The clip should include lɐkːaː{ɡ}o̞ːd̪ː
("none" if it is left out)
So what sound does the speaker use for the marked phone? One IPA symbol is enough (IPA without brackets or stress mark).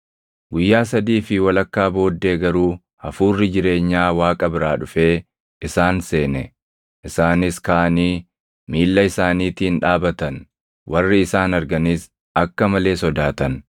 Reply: b